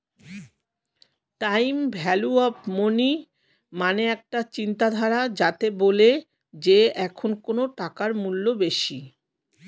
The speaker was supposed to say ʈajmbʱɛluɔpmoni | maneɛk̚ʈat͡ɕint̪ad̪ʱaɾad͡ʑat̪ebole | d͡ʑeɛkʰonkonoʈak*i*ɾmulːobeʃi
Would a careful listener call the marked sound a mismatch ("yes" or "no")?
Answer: yes